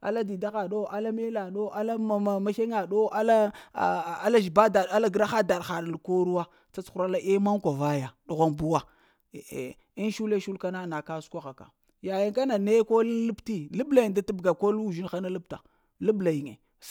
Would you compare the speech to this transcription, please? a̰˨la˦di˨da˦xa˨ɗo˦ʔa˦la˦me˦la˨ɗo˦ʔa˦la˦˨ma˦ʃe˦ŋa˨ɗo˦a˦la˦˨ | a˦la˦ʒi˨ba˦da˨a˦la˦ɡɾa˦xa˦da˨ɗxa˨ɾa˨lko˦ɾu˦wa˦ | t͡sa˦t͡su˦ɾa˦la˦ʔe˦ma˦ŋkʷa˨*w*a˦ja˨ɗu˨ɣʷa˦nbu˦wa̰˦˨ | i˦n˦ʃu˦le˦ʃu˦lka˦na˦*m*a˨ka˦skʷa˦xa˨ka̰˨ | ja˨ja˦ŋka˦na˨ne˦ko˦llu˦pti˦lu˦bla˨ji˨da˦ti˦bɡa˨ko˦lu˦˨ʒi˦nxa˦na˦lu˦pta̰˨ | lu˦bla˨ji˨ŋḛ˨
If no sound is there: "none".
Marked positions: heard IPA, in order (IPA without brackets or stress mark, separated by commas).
v, n